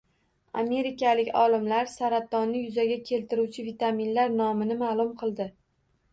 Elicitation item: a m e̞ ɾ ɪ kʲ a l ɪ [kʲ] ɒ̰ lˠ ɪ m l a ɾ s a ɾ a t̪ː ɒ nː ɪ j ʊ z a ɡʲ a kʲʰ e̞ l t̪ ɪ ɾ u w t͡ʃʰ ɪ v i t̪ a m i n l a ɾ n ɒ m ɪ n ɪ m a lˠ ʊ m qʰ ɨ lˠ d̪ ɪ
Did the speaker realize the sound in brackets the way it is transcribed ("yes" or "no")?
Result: yes